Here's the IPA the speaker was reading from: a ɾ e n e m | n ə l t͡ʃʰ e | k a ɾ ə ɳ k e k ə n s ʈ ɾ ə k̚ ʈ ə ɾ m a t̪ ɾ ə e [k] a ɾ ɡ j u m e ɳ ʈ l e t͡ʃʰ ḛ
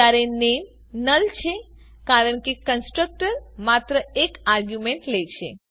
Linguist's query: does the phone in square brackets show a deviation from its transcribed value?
no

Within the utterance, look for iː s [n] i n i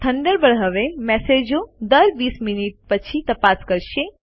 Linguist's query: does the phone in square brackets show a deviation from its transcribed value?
yes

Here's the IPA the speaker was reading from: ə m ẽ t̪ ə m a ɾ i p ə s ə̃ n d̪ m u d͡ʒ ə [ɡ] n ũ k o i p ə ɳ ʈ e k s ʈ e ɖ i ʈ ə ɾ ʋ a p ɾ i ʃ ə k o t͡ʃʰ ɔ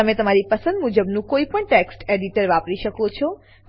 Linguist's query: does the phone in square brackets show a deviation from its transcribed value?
yes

